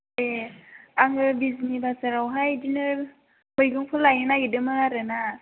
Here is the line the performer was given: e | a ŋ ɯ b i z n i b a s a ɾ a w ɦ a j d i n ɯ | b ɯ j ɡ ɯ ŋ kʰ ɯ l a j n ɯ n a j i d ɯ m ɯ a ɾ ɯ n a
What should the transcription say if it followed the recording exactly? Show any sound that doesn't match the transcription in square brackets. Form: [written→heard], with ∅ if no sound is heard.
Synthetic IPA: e | a ŋ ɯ b i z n i b a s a ɾ a w ɦ a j d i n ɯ | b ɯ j ɡ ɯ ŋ [kʰ→pʰ] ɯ l a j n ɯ n a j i d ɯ m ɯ a ɾ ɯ n a